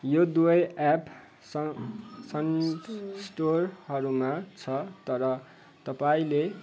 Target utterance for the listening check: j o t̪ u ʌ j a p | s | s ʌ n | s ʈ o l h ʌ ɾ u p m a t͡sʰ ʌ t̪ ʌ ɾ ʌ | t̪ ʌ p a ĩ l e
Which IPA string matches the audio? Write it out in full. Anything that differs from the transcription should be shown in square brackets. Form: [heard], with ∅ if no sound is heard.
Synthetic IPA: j o [d̪] u ʌ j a p | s | s ʌ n | s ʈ o [r] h ʌ ɾ u [∅] m a t͡sʰ ʌ t̪ ʌ ɾ ʌ | t̪ ʌ p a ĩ l e